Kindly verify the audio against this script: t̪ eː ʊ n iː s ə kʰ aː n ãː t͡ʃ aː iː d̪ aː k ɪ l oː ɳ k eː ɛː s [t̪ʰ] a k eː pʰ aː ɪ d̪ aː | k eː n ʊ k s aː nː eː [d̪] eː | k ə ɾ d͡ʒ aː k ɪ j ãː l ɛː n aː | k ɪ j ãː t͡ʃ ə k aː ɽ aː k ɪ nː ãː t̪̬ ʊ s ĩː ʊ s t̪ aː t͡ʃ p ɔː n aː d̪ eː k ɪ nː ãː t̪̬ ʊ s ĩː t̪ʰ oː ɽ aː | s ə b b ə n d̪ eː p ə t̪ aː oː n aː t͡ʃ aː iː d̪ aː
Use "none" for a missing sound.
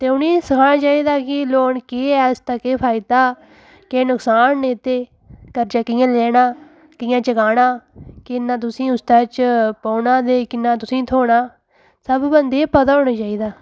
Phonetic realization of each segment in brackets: t̪, t̪

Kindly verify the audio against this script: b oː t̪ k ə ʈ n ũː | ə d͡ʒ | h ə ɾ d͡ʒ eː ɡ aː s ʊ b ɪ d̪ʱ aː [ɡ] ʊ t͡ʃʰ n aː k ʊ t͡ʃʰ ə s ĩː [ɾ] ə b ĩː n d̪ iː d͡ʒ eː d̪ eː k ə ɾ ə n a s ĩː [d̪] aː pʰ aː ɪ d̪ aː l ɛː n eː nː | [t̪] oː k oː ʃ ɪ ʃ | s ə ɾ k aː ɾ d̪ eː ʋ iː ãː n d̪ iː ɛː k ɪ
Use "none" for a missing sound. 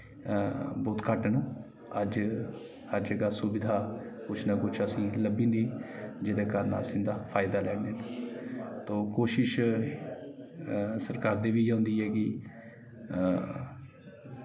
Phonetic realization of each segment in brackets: k, l, d̪, t̪

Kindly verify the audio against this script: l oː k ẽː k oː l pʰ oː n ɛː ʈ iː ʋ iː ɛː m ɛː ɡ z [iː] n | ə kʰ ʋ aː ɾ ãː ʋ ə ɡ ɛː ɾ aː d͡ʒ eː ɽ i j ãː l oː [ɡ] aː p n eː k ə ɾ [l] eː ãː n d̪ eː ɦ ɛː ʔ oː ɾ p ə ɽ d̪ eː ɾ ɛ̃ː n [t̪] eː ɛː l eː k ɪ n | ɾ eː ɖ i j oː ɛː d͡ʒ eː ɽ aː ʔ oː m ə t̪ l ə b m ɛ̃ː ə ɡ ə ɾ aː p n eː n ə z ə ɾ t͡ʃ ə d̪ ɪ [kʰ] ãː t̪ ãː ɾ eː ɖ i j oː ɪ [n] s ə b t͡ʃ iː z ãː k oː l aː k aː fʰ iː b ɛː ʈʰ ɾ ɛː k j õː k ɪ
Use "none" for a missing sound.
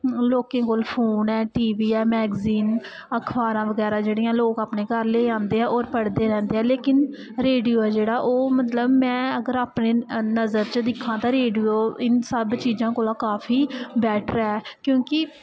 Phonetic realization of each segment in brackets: iː, k, l, d̪, kʰ, n

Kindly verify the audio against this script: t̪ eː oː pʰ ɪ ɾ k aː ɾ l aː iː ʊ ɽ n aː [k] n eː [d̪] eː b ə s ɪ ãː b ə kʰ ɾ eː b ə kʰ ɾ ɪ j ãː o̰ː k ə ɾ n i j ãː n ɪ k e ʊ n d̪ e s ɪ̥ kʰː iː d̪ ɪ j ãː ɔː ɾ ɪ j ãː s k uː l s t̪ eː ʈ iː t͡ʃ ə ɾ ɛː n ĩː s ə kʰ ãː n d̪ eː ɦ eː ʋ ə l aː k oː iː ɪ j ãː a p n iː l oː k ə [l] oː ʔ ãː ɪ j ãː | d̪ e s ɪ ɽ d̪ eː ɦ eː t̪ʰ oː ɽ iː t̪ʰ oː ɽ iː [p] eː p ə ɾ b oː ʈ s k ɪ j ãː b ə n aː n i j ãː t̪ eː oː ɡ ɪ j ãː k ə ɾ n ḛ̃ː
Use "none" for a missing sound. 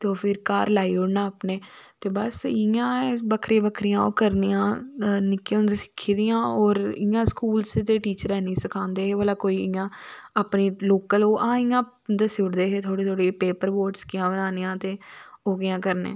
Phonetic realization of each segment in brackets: p, t̪, l, p

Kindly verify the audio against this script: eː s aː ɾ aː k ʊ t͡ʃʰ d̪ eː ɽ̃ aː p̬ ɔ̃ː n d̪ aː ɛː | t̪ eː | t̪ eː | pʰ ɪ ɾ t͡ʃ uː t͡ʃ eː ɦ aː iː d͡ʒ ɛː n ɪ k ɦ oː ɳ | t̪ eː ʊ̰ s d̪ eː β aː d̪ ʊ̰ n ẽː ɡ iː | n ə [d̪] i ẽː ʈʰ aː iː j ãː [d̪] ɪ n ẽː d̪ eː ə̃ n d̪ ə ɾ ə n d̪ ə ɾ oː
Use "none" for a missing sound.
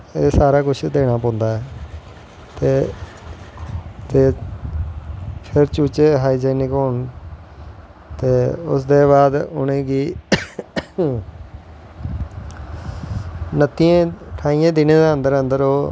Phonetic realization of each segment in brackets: t̪, d̪

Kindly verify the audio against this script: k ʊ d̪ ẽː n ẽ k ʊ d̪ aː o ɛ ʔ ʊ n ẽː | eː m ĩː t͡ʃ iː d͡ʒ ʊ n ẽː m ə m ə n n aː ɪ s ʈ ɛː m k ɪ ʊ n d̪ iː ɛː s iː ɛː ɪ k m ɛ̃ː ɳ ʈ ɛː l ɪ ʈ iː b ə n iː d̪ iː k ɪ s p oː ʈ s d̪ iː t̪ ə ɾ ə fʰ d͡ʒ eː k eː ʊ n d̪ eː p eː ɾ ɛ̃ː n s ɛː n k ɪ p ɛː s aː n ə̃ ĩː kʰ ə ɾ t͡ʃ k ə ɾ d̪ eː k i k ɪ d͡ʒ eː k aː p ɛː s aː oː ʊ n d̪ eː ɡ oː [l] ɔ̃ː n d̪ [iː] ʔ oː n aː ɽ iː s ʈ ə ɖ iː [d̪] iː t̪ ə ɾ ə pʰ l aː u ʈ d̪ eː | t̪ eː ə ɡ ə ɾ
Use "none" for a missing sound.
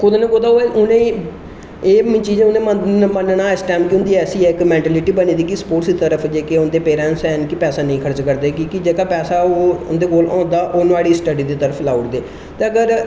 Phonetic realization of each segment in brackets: l, aː, d̪

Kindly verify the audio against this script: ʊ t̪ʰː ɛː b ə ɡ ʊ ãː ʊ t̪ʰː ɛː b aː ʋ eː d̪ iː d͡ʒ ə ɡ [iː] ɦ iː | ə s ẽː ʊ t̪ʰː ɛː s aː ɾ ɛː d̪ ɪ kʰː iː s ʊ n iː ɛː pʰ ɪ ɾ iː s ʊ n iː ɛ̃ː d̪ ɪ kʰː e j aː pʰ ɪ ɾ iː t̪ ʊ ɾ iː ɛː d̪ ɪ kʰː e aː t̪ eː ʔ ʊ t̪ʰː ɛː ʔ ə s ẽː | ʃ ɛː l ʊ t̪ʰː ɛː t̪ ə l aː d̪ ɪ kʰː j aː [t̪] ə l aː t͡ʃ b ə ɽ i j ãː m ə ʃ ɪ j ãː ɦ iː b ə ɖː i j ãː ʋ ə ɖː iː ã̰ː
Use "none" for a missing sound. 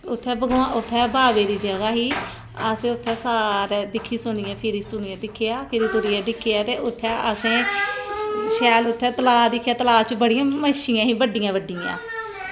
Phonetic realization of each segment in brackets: aː, t̪

